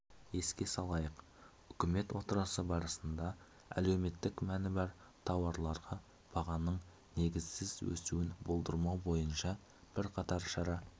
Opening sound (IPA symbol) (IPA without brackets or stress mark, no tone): e̞